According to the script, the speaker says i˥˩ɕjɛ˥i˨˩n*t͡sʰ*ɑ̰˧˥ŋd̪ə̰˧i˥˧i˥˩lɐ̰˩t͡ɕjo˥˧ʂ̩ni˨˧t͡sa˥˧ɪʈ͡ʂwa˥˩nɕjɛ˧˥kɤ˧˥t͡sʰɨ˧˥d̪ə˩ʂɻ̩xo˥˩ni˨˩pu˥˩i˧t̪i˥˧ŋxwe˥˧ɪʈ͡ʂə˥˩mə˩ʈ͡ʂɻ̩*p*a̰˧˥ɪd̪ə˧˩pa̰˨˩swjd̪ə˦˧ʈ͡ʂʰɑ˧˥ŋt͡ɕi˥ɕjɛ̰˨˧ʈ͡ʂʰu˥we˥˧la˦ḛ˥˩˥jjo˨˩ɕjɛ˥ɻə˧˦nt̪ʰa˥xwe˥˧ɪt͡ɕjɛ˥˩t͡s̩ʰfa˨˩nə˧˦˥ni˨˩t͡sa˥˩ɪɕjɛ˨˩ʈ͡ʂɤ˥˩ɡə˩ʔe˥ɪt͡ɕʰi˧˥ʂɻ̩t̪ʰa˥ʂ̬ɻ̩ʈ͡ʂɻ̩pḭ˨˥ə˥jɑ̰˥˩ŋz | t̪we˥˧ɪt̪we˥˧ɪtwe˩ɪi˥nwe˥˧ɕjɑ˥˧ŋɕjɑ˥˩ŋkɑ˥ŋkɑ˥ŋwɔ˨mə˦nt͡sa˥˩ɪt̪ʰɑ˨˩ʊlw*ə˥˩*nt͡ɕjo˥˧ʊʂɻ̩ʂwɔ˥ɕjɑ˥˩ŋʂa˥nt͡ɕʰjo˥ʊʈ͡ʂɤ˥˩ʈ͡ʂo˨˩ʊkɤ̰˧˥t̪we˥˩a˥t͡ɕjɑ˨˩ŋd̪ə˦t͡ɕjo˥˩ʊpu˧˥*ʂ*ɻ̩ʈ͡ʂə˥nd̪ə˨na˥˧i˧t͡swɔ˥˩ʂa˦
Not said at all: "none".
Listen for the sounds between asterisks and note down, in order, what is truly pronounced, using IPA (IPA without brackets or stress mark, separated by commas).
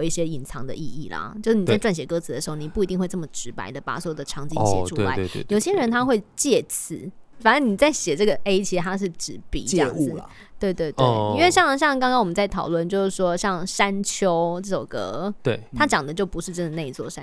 t͡sʰ, p, ə˥˩, ʂ